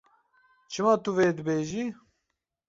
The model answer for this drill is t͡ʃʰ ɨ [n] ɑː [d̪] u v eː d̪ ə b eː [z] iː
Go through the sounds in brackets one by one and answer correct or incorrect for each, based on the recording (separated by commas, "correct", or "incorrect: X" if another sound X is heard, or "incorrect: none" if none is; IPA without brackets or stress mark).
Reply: incorrect: m, incorrect: t̪, incorrect: ʒ